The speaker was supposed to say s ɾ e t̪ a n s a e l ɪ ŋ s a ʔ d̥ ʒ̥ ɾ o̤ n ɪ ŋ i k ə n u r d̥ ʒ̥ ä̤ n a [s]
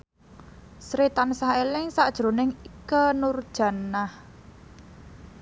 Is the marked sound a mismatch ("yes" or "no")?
yes